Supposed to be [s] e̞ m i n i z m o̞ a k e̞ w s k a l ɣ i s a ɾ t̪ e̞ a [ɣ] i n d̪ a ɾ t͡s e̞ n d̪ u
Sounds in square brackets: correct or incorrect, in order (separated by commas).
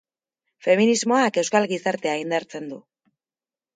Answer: incorrect, incorrect